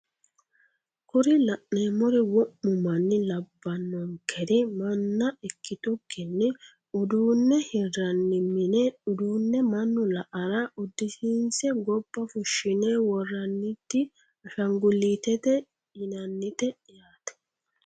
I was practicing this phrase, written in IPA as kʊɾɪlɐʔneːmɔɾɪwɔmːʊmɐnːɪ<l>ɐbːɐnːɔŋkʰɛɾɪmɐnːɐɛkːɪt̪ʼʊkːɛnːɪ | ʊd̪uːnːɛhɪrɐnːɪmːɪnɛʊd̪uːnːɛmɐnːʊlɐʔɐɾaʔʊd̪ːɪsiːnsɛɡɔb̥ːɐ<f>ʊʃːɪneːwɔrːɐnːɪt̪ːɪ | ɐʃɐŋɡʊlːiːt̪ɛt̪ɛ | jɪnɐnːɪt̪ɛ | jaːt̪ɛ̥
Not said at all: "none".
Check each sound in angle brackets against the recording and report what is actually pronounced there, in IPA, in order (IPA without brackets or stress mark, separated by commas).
l, f